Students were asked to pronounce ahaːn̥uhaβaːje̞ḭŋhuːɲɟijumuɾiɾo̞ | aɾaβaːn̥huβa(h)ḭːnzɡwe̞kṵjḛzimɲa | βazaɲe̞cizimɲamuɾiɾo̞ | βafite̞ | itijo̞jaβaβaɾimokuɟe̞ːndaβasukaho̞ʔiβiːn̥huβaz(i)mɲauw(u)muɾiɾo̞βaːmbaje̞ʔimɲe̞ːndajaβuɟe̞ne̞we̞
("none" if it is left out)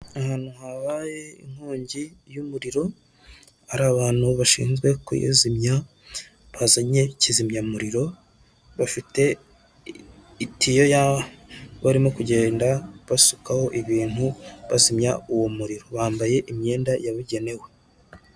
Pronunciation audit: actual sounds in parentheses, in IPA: ʃ, i, o

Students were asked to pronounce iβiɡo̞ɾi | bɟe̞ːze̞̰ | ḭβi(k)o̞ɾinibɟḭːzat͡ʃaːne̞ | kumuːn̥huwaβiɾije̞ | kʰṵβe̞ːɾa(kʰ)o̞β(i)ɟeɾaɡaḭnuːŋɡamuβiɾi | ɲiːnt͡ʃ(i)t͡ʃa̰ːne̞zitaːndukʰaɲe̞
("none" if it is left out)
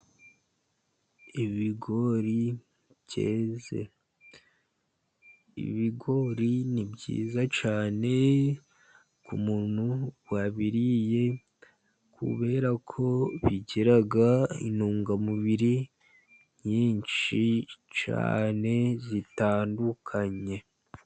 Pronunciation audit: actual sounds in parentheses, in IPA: ɡ, kʰ, i, i

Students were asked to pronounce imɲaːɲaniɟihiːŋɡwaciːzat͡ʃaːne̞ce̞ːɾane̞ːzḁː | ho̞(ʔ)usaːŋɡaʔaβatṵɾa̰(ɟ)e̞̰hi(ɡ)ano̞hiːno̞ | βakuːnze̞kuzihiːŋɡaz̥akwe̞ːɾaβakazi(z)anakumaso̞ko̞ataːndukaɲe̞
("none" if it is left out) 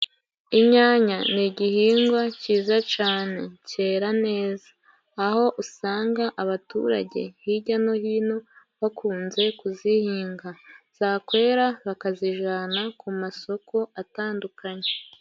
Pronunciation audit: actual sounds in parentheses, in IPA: ʔ, ɟ, ɟ, ʒ

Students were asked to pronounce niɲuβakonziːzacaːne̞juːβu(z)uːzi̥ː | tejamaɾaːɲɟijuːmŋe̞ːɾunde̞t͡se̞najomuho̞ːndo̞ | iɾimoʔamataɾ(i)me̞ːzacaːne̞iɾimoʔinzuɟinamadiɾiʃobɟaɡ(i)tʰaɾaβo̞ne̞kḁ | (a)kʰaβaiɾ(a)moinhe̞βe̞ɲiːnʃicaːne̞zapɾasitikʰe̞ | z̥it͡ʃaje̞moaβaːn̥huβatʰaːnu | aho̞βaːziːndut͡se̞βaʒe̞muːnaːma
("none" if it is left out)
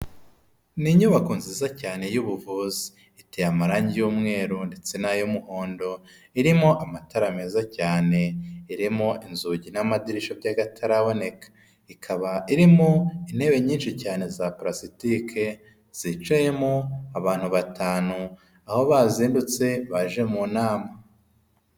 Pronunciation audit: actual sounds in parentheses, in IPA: v, a, a, i, i

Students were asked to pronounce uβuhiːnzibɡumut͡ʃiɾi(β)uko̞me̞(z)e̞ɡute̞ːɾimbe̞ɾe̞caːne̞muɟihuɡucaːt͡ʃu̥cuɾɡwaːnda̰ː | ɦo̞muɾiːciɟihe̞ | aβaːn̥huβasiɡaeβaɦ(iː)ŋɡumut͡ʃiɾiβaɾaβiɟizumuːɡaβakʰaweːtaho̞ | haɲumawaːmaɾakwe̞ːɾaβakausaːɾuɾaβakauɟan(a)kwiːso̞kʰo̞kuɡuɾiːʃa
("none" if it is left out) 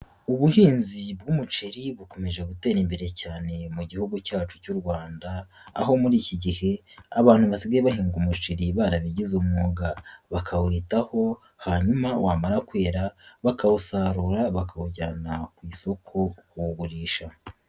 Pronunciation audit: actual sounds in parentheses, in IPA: β, ʒ, iː, a

